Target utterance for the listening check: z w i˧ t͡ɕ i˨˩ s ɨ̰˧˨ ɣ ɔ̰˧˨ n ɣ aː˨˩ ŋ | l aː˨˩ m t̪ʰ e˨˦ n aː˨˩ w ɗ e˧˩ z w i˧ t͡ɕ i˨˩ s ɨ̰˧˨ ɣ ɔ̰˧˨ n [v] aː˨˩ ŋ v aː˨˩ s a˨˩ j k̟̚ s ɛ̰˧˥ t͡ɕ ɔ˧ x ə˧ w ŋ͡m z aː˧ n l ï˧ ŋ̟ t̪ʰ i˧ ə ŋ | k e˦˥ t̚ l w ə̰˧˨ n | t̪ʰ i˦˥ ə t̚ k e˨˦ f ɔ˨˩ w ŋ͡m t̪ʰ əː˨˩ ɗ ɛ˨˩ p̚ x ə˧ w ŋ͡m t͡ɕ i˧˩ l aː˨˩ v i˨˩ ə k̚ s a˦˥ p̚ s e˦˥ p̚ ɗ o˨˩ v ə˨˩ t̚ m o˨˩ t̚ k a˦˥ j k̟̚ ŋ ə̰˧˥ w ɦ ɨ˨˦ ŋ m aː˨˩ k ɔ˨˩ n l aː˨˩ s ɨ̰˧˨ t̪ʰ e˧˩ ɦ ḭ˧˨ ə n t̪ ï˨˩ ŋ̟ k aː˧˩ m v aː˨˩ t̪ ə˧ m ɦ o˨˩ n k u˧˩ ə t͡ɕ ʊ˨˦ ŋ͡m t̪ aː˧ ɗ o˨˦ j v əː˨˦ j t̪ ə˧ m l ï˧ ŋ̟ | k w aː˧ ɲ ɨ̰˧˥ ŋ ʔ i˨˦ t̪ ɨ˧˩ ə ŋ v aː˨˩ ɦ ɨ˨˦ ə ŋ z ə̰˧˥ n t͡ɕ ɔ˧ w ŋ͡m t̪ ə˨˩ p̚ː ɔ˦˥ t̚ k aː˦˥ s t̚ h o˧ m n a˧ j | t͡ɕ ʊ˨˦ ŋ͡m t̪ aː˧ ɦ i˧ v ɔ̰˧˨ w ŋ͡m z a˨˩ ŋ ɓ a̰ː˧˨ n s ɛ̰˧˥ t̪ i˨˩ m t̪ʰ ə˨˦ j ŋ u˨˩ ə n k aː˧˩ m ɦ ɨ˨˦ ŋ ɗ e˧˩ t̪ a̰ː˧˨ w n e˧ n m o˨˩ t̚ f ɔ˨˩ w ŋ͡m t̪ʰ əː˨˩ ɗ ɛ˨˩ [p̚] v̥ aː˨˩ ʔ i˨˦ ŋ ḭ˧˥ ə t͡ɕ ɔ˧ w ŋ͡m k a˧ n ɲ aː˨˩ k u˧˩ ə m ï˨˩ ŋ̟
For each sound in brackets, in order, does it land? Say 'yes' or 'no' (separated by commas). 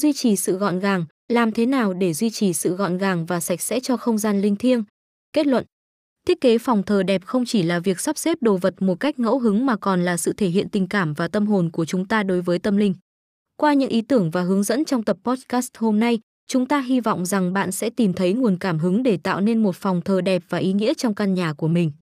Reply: no, yes